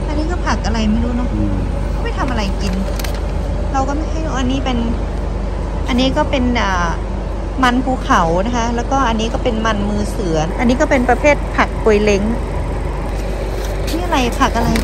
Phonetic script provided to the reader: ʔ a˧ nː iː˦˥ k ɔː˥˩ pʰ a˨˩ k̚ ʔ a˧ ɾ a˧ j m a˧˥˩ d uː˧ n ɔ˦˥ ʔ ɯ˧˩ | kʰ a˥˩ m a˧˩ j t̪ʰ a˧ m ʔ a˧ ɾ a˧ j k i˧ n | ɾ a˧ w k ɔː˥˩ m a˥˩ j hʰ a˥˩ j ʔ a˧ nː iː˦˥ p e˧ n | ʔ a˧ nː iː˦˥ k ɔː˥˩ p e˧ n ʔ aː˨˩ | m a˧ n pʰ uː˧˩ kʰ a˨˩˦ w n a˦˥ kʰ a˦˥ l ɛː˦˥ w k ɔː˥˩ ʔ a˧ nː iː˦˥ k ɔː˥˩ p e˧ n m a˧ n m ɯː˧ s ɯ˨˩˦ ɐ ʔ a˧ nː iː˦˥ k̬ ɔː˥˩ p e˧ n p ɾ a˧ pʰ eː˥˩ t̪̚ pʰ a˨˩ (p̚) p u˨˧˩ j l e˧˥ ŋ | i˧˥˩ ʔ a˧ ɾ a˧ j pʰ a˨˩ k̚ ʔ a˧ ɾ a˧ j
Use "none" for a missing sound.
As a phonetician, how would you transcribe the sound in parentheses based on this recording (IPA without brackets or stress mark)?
k̚